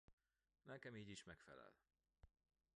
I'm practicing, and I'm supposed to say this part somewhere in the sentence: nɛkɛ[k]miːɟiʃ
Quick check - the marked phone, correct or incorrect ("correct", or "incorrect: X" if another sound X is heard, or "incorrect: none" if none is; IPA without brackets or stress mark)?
incorrect: none